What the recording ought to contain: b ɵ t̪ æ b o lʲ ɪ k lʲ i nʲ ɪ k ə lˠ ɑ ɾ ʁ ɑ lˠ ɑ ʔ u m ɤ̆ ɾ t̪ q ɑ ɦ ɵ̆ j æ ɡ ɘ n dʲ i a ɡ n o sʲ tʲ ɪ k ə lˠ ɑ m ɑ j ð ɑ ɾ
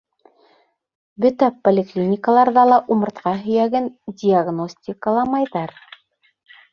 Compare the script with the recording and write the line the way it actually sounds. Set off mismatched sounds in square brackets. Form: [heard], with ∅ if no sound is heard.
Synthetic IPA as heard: b ɵ t̪ æ [p] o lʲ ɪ k lʲ i nʲ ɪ k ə lˠ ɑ ɾ [ð] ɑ lˠ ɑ ʔ u m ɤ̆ ɾ t̪ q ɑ ɦ ɵ̆ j æ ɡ ɘ n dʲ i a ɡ n o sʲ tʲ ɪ k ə lˠ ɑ m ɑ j ð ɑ ɾ